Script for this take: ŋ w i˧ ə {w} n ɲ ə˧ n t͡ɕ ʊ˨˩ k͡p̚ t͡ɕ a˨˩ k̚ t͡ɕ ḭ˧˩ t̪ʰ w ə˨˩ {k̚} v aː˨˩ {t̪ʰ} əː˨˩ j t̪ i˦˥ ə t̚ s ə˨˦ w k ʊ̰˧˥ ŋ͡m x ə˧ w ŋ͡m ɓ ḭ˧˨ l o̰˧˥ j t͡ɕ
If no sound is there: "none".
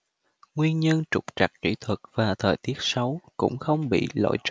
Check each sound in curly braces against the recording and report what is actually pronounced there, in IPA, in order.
none, k̚, t̪ʰ

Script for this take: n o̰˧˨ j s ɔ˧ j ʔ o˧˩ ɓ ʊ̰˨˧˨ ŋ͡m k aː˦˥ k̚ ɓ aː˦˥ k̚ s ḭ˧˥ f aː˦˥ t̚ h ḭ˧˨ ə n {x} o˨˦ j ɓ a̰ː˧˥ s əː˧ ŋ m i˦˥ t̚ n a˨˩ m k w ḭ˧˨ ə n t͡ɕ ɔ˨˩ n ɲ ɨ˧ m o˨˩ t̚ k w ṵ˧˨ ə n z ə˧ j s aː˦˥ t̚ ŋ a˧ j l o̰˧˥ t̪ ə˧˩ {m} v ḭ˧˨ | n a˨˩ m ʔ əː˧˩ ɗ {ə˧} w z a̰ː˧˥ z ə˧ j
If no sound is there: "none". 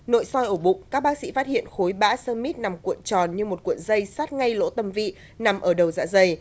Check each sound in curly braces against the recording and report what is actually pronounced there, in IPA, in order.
x, m, ə˨˩

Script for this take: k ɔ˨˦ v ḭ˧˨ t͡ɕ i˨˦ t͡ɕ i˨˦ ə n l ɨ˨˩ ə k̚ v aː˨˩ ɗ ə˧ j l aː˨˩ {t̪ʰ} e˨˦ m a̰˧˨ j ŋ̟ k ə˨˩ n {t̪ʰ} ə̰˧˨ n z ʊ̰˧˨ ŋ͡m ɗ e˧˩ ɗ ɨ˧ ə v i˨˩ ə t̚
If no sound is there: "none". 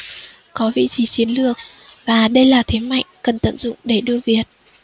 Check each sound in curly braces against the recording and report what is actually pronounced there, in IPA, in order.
t̪ʰ, t̪

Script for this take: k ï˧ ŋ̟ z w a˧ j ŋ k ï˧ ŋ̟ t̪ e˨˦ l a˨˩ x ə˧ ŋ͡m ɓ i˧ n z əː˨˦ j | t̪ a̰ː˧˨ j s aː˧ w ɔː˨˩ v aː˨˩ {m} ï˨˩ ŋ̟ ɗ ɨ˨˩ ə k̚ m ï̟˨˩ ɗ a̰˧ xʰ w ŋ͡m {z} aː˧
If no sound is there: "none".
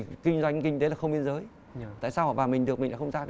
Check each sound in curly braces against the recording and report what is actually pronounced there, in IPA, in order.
m, z

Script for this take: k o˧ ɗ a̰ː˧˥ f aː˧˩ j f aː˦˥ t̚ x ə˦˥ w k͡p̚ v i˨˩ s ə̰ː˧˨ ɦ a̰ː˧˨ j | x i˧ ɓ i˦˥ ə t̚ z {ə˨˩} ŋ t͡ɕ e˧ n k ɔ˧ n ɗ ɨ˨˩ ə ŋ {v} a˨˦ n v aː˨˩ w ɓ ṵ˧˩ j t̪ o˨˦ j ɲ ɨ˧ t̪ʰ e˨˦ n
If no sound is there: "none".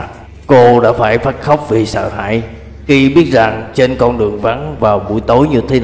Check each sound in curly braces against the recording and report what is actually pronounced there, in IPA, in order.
a˨˩, v

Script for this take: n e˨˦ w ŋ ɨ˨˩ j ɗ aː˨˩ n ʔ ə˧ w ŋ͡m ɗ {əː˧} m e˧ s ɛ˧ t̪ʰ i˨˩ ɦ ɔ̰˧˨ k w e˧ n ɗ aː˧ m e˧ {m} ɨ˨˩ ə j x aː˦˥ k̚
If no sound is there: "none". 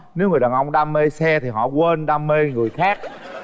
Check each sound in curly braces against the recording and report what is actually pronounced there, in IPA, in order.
aː˧, ŋ

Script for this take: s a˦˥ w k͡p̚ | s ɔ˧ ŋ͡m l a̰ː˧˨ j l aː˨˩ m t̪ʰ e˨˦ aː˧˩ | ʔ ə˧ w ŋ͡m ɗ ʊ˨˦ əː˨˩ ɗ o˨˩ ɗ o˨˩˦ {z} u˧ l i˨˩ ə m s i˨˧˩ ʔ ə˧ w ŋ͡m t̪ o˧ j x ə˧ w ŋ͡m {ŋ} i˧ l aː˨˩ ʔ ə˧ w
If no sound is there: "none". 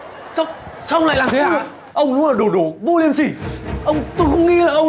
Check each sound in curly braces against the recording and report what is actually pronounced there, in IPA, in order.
v, ŋ

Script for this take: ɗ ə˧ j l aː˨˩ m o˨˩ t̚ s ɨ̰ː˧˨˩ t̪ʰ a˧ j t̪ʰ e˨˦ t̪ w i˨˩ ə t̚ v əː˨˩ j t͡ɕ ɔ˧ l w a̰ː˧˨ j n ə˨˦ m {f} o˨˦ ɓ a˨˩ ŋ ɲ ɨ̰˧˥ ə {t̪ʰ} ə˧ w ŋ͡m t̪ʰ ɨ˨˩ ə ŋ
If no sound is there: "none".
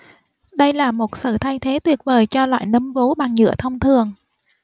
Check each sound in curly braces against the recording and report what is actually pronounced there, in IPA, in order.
v, t̪ʰ

